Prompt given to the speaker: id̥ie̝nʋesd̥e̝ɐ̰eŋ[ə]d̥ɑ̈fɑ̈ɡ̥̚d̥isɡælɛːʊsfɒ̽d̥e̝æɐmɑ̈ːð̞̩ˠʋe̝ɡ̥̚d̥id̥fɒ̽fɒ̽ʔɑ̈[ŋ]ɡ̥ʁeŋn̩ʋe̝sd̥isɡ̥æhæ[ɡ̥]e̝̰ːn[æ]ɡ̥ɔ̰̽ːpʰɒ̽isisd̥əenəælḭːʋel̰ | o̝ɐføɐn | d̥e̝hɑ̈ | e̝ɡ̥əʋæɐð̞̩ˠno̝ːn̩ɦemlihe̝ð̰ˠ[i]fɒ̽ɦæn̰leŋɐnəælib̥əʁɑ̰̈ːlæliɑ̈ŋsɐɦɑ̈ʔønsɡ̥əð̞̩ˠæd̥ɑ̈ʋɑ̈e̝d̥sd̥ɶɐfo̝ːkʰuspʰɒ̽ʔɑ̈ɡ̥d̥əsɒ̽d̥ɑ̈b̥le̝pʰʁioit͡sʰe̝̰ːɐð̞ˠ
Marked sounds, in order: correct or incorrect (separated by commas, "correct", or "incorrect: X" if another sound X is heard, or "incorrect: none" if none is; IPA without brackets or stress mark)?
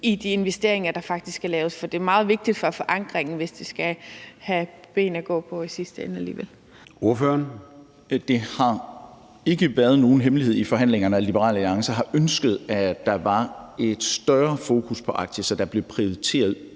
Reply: incorrect: ɐ, correct, incorrect: b̥, correct, correct